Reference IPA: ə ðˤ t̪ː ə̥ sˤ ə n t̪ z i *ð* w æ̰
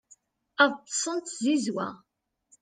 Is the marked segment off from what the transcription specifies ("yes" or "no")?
yes